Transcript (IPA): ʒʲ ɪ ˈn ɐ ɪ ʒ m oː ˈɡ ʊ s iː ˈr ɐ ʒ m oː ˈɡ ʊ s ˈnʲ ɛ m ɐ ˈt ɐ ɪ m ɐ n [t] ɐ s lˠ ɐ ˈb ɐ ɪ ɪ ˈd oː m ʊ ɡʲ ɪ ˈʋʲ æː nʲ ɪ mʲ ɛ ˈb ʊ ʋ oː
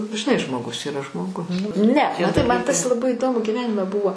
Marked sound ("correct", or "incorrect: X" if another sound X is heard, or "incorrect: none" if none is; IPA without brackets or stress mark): correct